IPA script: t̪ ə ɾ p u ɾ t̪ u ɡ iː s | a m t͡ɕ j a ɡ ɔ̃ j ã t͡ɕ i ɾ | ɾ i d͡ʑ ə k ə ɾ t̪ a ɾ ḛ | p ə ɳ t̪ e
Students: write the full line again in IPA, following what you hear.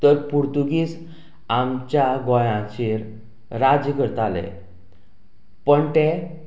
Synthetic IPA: t̪ ə ɾ p u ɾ t̪ u ɡ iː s | a m t͡ɕ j a ɡ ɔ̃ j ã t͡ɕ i ɾ | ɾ a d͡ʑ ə k ə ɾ t̪ a l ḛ | p ə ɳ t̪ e